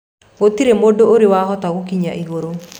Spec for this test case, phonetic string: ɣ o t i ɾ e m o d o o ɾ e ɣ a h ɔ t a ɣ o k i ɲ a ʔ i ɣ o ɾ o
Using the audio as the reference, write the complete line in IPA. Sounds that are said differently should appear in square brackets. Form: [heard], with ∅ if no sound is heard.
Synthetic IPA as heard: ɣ o t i ɾ e m o d o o ɾ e [w] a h ɔ t a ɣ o k i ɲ a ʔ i ɣ o ɾ o